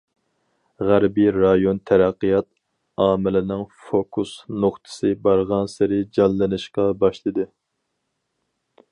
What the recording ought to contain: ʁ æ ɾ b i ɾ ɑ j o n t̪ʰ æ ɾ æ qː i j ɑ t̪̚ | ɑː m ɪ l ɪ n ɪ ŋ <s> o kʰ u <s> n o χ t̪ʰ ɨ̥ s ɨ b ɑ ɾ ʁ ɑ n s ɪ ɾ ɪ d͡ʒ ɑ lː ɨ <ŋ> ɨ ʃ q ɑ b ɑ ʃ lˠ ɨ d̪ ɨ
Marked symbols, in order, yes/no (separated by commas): no, yes, no